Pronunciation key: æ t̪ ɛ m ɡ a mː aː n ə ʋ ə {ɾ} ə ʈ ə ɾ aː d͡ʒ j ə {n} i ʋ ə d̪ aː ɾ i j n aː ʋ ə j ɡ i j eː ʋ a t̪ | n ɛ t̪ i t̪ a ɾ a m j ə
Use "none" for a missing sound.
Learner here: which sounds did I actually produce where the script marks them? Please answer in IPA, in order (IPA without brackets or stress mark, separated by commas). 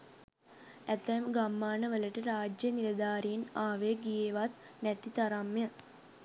l, n